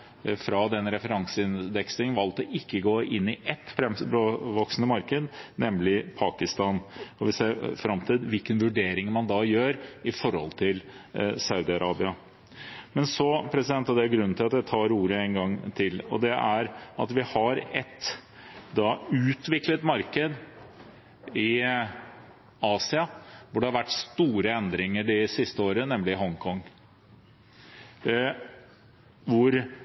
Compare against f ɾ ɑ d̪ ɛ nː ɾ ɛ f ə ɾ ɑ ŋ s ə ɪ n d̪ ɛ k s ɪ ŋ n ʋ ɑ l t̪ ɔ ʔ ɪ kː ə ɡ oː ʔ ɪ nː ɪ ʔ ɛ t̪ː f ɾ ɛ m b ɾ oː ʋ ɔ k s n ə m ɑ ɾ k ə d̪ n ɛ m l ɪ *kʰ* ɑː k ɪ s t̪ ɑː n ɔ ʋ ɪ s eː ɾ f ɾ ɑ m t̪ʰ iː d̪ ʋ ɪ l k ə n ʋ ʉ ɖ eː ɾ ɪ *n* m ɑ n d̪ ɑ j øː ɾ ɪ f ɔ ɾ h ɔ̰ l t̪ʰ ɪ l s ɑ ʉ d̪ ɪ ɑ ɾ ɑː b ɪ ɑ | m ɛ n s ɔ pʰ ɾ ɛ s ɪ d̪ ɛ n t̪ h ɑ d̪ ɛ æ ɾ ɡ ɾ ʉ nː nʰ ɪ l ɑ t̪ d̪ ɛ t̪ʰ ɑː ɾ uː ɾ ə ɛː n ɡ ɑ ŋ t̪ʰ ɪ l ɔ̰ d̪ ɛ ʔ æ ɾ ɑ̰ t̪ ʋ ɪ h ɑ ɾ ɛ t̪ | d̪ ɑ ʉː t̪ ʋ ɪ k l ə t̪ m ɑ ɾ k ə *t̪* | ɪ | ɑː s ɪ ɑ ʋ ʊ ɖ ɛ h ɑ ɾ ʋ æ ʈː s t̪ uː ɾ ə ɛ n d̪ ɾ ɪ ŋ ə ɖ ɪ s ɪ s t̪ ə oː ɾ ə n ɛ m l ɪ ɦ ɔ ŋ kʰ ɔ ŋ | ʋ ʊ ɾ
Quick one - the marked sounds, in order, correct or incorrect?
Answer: incorrect, incorrect, incorrect

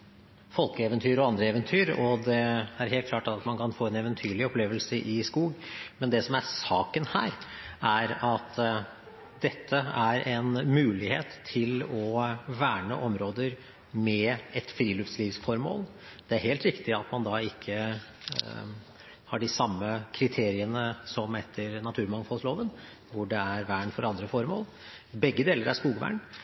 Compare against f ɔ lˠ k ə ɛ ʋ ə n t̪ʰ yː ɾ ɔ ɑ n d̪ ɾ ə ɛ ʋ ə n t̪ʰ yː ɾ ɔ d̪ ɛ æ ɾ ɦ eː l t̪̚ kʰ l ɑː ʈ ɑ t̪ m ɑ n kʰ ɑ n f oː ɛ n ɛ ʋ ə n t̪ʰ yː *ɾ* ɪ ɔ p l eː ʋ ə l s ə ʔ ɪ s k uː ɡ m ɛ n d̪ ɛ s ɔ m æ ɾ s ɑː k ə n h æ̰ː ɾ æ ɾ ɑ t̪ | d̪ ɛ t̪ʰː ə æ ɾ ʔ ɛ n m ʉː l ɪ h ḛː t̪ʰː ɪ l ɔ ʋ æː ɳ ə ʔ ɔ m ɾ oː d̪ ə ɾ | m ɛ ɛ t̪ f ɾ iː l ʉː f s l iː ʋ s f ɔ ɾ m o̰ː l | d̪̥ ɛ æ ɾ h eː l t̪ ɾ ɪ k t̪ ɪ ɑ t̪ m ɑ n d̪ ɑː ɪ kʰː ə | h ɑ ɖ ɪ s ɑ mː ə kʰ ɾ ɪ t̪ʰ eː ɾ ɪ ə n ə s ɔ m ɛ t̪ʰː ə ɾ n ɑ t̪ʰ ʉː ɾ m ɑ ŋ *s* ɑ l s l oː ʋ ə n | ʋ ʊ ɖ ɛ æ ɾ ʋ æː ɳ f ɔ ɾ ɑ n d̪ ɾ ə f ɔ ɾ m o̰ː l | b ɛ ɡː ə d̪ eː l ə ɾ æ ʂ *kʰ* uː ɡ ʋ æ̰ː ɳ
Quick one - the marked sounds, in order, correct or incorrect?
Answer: incorrect, incorrect, incorrect

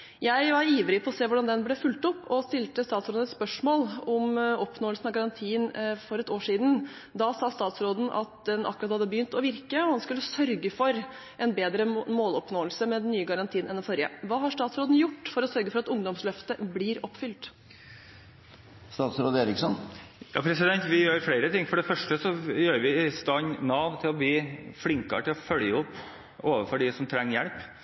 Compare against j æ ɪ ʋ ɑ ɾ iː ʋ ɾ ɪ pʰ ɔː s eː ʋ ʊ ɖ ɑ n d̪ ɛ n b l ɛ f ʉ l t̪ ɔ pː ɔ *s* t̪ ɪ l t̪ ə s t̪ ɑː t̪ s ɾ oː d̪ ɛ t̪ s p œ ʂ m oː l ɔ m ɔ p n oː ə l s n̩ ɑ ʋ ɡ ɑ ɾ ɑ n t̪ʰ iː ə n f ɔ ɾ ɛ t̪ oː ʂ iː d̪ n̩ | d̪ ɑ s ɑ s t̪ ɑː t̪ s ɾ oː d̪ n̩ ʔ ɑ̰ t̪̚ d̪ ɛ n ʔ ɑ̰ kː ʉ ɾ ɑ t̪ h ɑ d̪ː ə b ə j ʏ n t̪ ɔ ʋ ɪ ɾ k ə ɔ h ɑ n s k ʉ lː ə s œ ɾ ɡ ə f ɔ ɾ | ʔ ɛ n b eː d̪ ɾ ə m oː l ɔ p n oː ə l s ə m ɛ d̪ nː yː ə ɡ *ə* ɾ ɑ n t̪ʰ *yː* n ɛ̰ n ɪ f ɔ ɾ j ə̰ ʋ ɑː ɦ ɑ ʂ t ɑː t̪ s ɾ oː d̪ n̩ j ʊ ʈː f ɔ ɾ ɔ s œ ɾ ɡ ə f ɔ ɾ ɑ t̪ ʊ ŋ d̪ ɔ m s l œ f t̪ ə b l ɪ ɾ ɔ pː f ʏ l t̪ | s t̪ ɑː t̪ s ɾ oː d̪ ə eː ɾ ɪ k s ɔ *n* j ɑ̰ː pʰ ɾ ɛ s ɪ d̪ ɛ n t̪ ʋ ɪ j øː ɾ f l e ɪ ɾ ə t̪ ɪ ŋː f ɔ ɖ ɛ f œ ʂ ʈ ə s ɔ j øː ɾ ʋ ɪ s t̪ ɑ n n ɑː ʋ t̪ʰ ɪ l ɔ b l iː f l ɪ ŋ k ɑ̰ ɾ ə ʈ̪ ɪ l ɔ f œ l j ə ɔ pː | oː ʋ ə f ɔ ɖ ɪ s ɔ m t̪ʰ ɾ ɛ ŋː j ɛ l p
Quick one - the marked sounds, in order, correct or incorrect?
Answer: correct, incorrect, incorrect, correct

